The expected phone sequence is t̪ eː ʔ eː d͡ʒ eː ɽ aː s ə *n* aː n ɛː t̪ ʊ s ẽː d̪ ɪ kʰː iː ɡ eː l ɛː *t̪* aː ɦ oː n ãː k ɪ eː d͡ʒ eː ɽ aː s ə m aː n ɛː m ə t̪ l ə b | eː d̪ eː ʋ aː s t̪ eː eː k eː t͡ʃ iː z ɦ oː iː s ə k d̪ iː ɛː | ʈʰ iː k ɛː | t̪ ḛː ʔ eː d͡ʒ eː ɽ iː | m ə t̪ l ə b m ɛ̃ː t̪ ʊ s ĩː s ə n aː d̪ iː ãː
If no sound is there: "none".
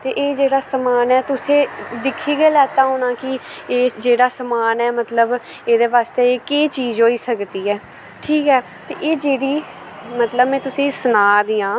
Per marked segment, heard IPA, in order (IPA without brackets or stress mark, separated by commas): m, t̪